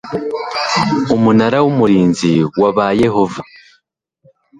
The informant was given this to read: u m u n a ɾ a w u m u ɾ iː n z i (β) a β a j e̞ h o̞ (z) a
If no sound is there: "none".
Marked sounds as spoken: w, v

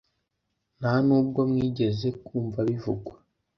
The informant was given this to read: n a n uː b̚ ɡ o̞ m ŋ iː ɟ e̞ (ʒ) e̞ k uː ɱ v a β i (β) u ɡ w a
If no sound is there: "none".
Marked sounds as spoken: z, v

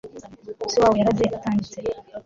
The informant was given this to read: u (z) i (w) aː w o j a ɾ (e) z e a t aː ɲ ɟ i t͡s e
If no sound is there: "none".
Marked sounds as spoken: s, w, a

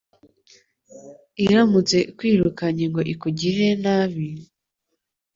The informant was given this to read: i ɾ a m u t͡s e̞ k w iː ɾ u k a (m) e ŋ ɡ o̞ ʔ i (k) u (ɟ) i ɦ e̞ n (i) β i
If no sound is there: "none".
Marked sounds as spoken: ɲ, k, ɟ, a

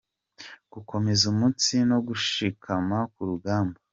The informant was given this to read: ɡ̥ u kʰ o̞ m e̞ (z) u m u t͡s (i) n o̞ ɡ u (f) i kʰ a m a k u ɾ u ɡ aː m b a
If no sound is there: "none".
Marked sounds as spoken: z, i, ʃ

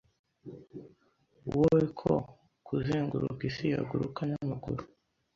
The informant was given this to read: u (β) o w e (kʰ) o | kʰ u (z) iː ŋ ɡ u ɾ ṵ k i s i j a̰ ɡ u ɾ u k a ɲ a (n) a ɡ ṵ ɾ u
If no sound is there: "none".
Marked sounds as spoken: w, kʰ, z, m

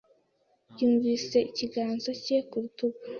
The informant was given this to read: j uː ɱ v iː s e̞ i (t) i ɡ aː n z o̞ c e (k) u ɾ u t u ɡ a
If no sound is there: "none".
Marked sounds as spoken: c, k

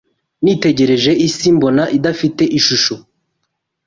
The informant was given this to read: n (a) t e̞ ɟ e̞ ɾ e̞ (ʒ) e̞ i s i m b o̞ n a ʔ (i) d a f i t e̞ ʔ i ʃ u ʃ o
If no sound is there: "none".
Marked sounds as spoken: i, ʒ, i

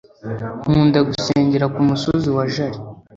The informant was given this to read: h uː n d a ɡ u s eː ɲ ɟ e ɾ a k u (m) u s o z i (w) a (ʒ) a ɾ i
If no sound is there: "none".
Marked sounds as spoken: m, w, ʒ

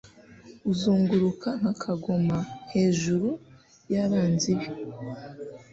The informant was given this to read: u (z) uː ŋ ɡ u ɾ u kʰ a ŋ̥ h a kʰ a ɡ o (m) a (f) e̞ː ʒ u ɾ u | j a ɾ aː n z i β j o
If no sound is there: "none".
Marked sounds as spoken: z, m, h

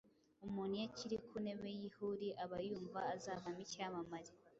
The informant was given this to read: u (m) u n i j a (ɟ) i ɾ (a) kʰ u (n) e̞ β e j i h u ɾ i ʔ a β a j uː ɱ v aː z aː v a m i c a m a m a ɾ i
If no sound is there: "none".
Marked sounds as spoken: m, c, i, n

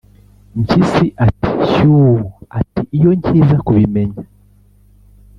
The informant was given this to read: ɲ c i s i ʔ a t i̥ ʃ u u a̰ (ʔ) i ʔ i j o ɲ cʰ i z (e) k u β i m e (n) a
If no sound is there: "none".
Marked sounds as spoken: t, a, ɲ

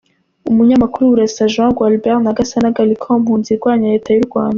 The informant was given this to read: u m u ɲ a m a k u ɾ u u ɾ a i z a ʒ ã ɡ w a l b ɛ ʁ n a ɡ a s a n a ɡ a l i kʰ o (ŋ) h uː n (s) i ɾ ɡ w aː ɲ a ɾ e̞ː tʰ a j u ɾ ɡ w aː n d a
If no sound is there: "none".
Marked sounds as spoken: m, z

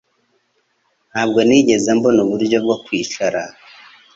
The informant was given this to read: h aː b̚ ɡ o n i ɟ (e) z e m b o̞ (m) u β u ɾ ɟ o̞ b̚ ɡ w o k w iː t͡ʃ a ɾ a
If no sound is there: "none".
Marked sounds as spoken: e, n

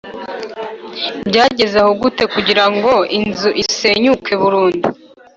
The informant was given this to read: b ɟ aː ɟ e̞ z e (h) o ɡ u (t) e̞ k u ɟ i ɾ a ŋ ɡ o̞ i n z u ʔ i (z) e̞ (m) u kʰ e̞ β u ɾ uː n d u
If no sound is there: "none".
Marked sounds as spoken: h, t, s, ɲ

